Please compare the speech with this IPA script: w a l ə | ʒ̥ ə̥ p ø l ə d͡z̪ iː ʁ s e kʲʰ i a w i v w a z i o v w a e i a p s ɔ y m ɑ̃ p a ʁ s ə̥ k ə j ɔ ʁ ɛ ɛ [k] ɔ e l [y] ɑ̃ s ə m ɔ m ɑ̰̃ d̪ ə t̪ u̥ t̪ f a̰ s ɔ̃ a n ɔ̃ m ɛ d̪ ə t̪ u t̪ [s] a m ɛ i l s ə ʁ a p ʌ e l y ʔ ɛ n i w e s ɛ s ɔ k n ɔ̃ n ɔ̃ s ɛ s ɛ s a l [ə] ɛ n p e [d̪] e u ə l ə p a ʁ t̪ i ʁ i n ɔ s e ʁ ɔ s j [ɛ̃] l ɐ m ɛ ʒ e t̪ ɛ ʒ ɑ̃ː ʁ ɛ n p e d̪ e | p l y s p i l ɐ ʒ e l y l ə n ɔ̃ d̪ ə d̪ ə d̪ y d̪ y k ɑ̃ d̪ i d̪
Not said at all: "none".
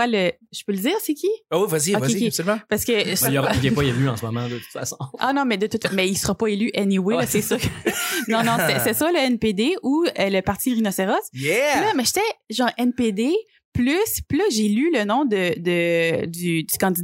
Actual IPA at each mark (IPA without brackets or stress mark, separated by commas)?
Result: p, y, f, ə, d̪, ɛ